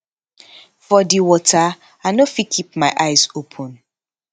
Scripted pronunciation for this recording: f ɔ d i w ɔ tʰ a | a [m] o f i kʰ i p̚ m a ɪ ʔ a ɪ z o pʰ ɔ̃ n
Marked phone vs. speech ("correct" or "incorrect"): incorrect